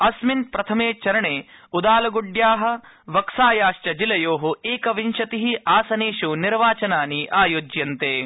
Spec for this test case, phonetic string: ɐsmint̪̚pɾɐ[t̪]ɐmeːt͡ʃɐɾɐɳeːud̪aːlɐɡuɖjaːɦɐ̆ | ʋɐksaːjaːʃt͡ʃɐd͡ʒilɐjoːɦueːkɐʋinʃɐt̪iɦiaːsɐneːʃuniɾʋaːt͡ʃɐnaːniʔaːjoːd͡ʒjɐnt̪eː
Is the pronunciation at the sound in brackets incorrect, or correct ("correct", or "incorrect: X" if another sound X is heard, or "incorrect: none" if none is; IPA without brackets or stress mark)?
incorrect: t̪ʰ